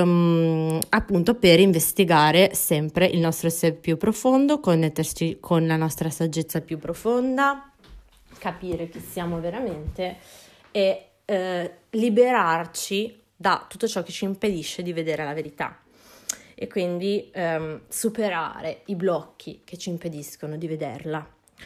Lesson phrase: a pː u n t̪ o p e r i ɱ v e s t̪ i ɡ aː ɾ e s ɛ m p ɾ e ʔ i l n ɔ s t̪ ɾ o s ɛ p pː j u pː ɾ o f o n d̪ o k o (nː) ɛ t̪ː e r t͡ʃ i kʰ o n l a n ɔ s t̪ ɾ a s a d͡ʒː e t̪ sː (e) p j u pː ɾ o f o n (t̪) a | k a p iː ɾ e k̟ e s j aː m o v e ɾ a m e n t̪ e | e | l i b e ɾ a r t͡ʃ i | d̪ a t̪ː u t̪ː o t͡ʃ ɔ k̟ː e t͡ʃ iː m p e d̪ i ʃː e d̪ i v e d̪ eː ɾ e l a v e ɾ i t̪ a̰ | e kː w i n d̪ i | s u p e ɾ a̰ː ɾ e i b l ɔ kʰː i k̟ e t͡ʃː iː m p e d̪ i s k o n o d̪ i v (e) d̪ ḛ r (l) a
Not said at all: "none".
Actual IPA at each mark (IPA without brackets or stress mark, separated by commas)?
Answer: nː, a, d̪, e, l